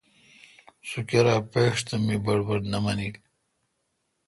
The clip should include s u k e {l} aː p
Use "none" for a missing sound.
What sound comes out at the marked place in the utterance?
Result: ɾ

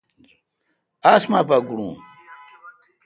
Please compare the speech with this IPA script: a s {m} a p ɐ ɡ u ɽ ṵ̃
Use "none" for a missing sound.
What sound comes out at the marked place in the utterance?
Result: m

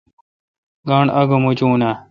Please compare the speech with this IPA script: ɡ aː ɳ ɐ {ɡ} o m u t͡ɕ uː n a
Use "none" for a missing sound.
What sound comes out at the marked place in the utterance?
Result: ɡ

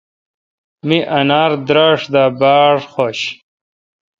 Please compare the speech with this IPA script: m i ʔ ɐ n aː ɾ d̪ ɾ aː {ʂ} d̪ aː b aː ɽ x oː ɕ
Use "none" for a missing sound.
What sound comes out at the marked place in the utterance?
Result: ʂ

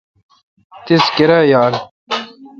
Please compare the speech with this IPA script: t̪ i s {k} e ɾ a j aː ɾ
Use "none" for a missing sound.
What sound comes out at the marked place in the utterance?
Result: k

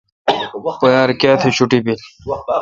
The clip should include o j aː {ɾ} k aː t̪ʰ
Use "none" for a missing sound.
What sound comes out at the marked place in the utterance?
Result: ɾ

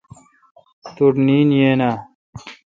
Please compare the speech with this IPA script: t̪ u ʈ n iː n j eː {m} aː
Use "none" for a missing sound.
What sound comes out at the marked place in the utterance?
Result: n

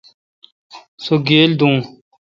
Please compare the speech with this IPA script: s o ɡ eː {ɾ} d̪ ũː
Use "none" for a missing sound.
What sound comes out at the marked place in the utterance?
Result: l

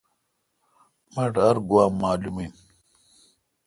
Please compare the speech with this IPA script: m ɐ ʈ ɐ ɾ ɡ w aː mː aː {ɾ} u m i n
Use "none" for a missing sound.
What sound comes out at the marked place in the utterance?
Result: l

